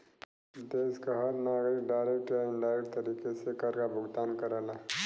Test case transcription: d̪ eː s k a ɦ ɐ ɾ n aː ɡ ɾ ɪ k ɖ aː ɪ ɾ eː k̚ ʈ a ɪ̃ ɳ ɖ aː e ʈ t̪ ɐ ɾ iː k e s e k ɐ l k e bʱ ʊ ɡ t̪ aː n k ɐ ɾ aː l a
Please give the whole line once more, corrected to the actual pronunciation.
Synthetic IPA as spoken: d̪ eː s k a ɦ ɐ ɾ n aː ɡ ɾ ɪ k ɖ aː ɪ ɾ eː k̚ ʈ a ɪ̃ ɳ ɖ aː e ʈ t̪ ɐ ɾ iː k e s e k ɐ ɾ k a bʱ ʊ ɡ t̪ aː n k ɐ ɾ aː l a